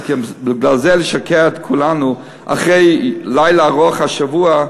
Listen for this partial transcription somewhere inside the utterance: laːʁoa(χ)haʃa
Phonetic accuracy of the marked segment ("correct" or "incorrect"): correct